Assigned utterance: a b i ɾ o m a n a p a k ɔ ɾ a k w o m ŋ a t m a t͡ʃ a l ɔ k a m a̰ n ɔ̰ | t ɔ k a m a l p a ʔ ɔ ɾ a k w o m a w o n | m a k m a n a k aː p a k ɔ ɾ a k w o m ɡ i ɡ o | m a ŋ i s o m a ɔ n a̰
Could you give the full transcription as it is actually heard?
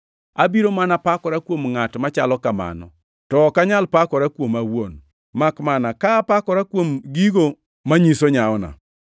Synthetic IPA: a b i ɾ o m a n a p a k ɔ ɾ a k w o m ŋ a t m a t͡ʃ a l ɔ k a m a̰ n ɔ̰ | t ɔ k a ɲ a l p a k ɔ ɾ a k w o m a w o n | m a k m a n a k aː p a k ɔ ɾ a k w o m ɡ i ɡ o | m a ɲ i s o ɲ a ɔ n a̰